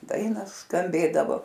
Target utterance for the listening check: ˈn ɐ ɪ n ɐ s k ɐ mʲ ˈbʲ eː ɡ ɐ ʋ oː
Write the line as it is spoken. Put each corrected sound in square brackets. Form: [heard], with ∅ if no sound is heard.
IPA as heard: [ˈd] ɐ ɪ n ɐ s k ɐ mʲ ˈbʲ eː [d] ɐ ʋ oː